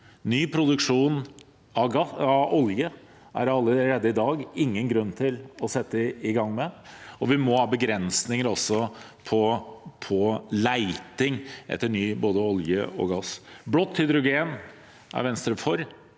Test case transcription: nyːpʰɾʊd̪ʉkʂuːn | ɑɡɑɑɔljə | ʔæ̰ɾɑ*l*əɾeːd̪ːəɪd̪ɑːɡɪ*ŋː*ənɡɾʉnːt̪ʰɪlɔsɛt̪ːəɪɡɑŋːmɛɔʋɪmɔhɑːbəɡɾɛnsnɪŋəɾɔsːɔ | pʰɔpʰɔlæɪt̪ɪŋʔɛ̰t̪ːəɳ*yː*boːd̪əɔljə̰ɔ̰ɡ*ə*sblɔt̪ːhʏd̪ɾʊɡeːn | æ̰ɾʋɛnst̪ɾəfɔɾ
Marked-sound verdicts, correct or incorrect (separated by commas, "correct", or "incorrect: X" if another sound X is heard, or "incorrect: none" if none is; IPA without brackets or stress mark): incorrect: lː, correct, correct, incorrect: ɑ